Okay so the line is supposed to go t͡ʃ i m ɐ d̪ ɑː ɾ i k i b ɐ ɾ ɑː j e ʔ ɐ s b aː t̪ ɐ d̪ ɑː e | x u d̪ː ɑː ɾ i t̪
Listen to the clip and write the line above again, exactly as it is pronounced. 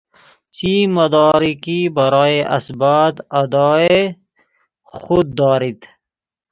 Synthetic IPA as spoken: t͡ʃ i m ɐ d̪ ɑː ɾ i k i b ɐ ɾ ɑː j e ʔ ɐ s b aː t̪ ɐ d̪ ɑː e | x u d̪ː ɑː ɾ i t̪